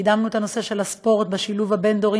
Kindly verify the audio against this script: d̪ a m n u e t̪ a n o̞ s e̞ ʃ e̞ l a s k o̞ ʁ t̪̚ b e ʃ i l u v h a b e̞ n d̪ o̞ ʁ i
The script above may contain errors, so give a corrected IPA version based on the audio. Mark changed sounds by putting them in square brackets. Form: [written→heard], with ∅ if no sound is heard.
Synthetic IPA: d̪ a m n u e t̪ a n o̞ s e̞ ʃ e̞ l a s [k→p] o̞ ʁ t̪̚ b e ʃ i l u v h a b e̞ n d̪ o̞ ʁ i